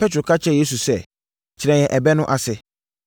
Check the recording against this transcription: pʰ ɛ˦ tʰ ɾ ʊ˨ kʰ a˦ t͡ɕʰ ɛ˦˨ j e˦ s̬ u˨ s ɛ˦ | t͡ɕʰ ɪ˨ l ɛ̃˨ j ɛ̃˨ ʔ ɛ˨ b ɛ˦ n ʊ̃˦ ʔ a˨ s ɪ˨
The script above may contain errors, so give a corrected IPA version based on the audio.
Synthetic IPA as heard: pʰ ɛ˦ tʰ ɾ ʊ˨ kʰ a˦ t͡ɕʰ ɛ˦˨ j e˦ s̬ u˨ s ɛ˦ | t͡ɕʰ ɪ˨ ɾ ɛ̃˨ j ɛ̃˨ ʔ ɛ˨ b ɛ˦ n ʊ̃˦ ʔ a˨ s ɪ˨